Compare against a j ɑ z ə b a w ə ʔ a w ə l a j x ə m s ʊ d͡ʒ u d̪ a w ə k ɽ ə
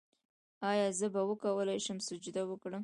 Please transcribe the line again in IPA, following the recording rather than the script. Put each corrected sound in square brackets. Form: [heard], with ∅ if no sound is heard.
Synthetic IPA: [ɑ] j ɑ z ə b a w ə [k] a w ə l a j [ʃ] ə m s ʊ d͡ʒ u d̪ a w ə k ɽ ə